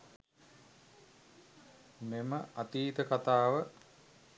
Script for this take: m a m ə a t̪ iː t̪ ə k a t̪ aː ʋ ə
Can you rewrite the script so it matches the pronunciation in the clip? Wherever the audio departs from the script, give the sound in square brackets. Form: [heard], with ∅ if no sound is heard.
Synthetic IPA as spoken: m [e] m ə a t̪ iː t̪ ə k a t̪ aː ʋ ə